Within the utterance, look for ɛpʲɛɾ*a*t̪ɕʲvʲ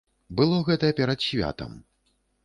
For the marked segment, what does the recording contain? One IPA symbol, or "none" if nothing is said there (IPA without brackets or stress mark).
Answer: ɐ